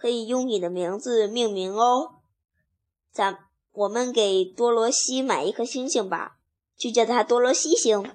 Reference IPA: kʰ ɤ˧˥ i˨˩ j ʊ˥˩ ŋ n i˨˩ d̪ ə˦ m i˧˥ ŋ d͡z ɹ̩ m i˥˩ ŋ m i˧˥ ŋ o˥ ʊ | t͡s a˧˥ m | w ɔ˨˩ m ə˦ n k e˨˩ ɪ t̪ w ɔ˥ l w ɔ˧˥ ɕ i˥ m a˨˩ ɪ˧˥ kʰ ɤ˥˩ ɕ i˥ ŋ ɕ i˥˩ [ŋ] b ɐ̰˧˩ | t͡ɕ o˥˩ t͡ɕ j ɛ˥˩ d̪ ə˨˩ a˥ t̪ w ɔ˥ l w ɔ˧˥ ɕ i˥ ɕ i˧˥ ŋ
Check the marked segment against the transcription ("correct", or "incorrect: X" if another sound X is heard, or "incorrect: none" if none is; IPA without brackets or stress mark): correct